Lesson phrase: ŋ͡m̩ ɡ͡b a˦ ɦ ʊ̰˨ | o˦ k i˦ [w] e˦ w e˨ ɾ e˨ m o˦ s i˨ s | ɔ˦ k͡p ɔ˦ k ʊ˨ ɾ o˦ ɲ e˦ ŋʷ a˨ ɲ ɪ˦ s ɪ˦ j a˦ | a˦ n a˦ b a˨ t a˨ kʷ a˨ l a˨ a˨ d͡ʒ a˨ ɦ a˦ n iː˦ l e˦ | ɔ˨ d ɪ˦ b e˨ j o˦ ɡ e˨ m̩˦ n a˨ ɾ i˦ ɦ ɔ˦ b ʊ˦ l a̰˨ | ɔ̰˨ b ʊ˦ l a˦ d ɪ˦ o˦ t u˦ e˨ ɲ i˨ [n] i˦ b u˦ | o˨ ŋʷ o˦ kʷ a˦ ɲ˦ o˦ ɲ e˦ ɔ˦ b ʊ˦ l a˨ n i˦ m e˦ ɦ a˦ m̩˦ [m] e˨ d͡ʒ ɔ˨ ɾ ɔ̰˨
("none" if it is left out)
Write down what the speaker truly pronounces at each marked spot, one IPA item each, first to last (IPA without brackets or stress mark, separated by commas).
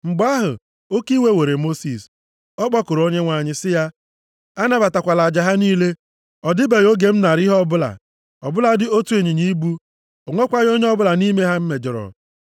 w, ɲ, m